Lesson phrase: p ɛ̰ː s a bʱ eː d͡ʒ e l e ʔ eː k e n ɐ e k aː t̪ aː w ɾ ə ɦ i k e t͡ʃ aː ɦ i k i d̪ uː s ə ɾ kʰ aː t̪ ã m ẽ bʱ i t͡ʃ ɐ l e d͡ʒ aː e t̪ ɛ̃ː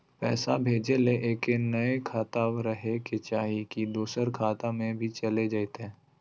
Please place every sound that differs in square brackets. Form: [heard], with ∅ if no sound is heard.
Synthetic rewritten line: p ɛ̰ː s a bʱ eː d͡ʒ e l e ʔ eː k e n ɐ e [kʰ] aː t̪ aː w ɾ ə ɦ [e] k e t͡ʃ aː ɦ i k i d̪ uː s ə ɾ kʰ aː t̪ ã m ẽ bʱ i t͡ʃ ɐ l e d͡ʒ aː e t̪ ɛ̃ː